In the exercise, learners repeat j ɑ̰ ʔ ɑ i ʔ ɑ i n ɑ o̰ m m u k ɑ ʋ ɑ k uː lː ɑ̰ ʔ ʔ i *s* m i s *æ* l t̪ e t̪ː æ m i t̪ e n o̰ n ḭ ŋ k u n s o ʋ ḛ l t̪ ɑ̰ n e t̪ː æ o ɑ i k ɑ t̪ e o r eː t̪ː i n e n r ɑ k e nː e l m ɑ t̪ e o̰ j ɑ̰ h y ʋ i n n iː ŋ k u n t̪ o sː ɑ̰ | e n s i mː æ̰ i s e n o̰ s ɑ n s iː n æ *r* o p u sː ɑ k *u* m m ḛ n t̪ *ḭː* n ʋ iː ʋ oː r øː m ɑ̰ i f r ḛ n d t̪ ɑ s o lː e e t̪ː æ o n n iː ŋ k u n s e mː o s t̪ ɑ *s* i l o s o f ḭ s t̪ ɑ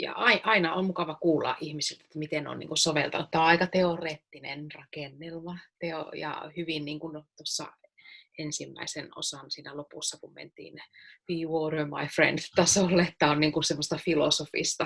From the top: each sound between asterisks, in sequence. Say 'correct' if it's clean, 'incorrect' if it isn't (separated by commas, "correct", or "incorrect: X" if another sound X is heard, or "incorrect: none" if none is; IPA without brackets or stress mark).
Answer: incorrect: h, incorrect: i, incorrect: l, correct, correct, incorrect: f